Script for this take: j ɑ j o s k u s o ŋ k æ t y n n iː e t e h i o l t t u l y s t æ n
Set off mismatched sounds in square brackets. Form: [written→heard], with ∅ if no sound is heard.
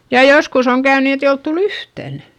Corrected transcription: j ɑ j o s k u s o ŋ k æ [t→∅] y n n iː e t e [h→∅] i o l t t u l y [s→h] t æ n